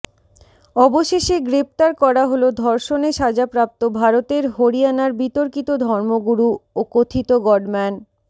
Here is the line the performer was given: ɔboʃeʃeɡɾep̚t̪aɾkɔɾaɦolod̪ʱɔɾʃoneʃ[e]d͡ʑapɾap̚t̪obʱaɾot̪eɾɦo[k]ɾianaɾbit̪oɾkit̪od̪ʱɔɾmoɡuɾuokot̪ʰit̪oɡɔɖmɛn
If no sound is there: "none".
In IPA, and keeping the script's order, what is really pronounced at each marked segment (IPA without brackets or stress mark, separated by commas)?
a, none